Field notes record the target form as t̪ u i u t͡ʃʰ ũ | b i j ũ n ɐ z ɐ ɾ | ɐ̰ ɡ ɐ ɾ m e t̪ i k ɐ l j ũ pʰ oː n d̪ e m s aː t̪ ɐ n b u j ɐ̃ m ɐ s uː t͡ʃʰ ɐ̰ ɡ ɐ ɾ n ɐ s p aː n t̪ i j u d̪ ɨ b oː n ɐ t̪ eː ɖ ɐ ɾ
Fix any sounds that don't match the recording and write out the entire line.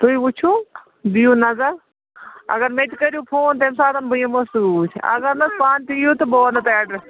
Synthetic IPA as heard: t̪ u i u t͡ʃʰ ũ | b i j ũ n ɐ z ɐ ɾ | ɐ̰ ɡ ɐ ɾ m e t̪ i k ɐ ɾ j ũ pʰ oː n t̪ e m s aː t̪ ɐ n b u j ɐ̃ m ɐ s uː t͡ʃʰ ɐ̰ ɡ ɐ ɾ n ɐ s p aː n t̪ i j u t̪ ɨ b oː n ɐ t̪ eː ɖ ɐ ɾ